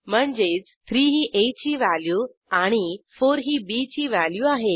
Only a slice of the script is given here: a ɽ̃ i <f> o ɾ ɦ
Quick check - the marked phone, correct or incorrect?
correct